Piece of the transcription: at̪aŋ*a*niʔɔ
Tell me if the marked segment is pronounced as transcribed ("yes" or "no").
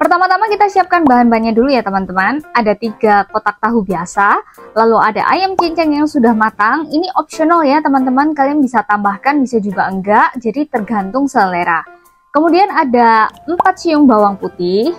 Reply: no